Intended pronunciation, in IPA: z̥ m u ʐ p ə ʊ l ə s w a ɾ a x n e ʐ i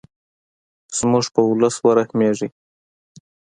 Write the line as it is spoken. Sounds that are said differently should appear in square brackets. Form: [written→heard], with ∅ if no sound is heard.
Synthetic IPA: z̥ m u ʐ p ə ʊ l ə s w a ɾ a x [n→m] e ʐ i